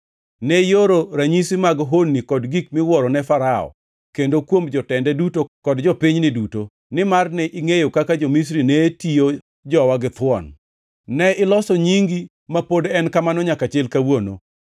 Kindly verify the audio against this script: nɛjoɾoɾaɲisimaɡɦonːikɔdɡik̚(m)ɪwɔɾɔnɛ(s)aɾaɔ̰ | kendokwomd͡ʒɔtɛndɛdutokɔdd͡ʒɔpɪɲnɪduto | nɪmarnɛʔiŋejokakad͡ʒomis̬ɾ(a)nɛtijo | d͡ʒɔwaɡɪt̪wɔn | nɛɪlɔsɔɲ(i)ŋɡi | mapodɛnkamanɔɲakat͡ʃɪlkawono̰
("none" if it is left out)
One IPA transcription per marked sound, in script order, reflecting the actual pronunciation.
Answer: m, f, i, i

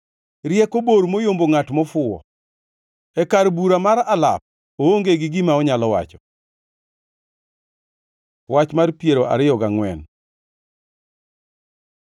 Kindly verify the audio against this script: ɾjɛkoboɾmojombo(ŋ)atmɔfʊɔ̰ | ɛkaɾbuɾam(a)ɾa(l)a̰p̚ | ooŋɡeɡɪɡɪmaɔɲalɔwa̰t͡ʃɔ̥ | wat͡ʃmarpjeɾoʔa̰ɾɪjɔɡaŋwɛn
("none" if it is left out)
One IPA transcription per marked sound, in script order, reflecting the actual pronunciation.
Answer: ŋ, a, l

